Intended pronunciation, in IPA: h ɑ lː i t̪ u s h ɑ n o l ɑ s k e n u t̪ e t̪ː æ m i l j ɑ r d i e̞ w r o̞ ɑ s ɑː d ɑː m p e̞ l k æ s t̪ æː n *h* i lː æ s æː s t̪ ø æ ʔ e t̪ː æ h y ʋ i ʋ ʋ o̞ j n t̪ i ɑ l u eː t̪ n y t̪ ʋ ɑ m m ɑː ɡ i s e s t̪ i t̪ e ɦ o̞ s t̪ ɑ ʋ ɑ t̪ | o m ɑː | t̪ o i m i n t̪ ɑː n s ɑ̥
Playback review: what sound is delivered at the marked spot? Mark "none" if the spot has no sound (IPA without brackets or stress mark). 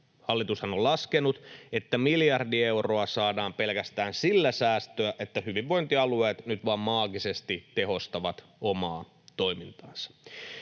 s